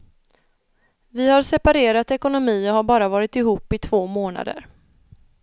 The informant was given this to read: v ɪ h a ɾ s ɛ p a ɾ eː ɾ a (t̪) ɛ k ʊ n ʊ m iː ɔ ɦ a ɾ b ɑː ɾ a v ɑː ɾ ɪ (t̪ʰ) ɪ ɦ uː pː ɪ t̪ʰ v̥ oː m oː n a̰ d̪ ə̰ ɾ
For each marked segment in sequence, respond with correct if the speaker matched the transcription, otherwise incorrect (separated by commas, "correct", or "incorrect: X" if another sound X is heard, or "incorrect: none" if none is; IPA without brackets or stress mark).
correct, incorrect: t̪